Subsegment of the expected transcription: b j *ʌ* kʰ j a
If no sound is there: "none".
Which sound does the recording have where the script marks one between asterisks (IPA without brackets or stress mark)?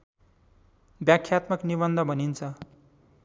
a